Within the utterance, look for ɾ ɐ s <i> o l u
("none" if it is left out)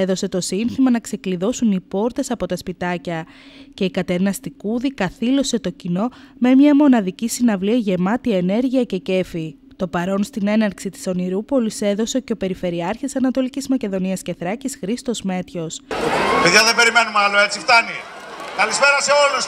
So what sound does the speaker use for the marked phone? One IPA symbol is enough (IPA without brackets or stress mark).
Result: e